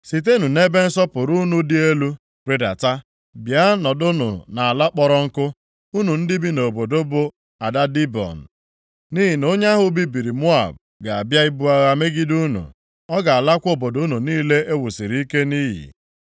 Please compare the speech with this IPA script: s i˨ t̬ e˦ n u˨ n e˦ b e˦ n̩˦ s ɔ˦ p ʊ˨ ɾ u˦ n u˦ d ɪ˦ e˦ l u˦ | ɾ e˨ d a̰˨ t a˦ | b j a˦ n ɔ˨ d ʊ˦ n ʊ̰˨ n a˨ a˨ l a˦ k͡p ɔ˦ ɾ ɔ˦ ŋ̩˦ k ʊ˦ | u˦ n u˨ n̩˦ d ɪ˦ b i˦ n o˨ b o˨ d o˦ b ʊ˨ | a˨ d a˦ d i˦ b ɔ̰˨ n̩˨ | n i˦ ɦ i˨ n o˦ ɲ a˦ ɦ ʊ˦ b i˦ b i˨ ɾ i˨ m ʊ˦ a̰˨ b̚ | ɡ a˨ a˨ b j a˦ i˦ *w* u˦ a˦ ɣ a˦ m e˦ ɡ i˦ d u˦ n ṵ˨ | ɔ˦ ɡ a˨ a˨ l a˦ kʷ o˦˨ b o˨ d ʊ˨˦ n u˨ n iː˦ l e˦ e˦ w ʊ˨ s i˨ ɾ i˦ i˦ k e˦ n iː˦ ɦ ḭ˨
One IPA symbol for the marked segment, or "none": b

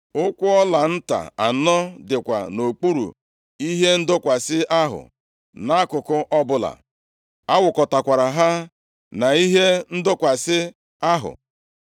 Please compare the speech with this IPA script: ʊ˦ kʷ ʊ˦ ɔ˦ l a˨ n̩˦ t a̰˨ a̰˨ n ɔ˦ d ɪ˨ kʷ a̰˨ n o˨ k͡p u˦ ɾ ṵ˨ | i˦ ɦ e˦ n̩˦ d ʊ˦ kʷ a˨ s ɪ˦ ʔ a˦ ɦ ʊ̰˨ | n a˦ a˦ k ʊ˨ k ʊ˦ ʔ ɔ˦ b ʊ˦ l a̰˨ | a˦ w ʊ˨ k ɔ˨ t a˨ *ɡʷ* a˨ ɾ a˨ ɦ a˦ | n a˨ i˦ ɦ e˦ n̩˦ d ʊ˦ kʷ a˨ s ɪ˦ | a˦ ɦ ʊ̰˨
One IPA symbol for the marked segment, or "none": kʷ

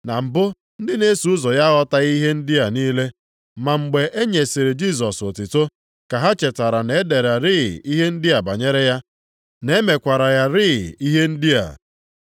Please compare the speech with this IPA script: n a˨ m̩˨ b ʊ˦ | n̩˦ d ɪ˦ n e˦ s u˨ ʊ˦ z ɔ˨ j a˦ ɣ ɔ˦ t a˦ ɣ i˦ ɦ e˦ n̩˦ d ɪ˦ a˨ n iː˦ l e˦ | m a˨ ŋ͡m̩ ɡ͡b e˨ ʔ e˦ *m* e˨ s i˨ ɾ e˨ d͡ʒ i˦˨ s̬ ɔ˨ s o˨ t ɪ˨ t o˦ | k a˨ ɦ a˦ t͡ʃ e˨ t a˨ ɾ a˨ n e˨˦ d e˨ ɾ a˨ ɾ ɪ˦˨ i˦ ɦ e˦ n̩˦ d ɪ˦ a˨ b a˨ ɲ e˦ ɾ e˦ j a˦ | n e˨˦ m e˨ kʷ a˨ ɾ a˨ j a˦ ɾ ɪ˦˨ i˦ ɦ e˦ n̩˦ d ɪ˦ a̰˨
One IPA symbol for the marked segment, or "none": ɲ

